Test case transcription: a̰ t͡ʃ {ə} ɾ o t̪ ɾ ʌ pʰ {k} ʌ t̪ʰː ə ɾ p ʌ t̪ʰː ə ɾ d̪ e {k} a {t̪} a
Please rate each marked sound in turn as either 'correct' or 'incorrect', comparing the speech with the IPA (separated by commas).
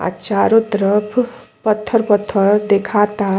incorrect, incorrect, incorrect, correct